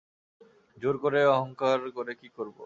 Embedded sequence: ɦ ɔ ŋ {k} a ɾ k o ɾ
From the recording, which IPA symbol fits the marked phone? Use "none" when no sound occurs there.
k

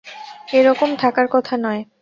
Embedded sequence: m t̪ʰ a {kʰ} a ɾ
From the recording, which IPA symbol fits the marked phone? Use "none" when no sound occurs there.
k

